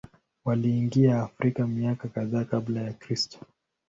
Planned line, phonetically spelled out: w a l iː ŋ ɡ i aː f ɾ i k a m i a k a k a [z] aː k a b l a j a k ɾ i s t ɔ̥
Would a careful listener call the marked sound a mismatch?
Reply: yes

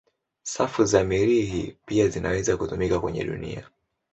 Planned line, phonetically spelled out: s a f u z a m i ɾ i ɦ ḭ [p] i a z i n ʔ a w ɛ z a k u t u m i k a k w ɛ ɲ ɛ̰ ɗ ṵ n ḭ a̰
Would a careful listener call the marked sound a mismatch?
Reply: no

